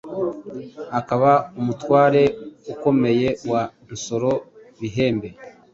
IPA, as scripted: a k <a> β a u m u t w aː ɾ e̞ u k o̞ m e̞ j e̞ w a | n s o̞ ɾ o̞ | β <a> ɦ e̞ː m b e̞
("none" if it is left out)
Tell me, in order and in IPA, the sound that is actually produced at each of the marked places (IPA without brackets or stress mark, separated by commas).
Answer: a, i